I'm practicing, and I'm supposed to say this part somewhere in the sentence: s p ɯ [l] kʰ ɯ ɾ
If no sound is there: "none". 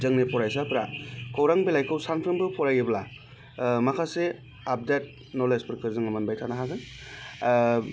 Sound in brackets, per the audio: ɾ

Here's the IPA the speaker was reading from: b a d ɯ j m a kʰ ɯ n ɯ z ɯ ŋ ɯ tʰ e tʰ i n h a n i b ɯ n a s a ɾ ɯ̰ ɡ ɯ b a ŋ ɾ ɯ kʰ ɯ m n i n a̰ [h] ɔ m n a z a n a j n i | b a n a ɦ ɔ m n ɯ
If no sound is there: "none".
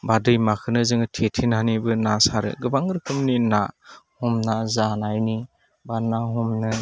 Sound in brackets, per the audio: h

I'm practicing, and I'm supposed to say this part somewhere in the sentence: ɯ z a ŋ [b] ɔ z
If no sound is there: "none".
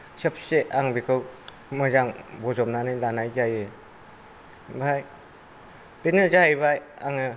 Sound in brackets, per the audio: b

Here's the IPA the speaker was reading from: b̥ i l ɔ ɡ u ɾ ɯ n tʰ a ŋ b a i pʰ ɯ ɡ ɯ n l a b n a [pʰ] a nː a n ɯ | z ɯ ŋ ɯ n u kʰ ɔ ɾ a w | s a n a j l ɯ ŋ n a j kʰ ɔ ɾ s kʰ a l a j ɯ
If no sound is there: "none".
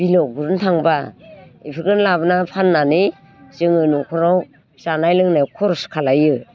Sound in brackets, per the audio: pʰ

